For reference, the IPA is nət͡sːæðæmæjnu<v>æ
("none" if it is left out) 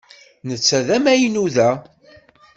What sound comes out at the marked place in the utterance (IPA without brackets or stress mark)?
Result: ð